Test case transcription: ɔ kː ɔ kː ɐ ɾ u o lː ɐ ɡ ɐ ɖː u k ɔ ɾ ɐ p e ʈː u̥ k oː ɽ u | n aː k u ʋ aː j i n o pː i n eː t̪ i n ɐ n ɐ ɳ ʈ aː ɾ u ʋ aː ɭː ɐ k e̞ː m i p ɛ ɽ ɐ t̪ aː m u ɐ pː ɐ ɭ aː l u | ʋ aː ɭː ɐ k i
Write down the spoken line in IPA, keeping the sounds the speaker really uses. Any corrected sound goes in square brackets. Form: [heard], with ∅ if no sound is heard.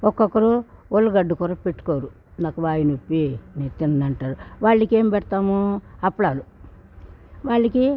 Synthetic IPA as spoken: ɔ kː ɔ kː ɐ ɾ u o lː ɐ ɡ ɐ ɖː u k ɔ ɾ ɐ p e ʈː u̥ k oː [ɾ] u | n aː k u ʋ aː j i n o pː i n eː t̪ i n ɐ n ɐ ɳ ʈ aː ɾ u ʋ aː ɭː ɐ k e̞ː m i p ɛ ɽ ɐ t̪ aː m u ɐ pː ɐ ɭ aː l u | ʋ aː ɭː ɐ k i